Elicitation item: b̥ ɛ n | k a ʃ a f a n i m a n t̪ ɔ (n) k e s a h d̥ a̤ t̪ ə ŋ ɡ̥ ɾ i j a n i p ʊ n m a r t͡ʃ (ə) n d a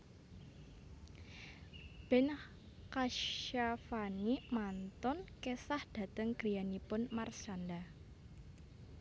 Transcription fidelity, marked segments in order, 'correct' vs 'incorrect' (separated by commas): correct, incorrect